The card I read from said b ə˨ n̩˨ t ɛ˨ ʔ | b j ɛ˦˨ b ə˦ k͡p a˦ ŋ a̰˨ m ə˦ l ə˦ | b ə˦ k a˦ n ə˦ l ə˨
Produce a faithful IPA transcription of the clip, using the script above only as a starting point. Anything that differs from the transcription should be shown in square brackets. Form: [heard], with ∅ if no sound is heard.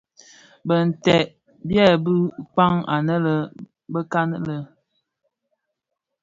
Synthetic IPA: b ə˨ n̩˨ t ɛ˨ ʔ | b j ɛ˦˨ b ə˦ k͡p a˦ ŋ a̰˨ [n] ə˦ l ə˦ | b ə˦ k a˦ n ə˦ l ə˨